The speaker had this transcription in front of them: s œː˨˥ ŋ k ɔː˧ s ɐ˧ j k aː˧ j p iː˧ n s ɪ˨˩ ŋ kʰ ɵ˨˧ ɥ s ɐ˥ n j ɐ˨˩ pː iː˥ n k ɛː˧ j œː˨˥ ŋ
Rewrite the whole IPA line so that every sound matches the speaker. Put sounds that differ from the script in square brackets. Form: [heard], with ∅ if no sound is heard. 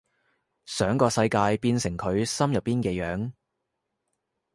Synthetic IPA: s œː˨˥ ŋ k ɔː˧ s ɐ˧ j k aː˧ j p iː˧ n s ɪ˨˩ ŋ kʰ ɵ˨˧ ɥ s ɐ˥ [m] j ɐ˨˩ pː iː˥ n k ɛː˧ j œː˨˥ ŋ